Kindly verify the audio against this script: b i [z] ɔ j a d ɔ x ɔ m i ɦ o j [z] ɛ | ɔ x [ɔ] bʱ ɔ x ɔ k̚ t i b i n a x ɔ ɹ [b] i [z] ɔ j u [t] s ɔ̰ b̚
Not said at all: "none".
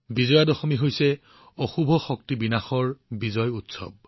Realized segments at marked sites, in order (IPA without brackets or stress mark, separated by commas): z, s, u, b, z, t